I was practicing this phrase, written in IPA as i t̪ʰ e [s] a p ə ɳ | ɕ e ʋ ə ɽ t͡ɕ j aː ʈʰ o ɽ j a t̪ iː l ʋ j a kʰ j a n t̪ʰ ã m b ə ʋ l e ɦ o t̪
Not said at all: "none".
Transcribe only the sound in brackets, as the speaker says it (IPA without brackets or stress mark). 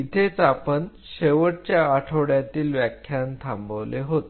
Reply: t͡s